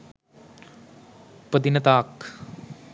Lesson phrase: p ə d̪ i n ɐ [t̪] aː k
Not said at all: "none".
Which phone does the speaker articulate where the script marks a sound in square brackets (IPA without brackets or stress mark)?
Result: t̪